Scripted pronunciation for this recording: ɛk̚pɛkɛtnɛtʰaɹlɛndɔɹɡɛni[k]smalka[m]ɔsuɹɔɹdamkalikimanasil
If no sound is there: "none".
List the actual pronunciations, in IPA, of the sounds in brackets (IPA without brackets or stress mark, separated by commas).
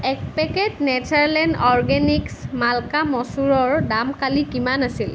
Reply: k, m